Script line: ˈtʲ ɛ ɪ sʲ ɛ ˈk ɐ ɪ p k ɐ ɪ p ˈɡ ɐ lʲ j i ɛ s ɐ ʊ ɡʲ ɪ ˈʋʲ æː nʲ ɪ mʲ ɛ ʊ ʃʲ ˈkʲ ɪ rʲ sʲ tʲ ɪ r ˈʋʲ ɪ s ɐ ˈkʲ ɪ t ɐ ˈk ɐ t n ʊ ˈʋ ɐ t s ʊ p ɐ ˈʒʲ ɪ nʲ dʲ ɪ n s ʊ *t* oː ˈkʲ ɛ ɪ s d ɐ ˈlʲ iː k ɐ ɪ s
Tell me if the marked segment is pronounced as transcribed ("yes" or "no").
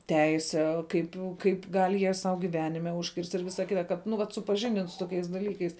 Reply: yes